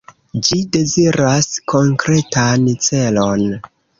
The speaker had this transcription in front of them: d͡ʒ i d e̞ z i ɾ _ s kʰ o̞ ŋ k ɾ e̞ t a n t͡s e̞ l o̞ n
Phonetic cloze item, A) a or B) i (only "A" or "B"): A